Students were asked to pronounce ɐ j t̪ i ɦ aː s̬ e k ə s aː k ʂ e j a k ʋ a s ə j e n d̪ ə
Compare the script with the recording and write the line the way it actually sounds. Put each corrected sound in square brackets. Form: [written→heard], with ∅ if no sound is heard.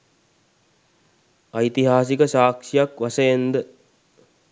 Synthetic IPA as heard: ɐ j t̪ i ɦ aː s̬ [e→i] k ə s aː k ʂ [e→i] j a k ʋ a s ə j e n d̪ ə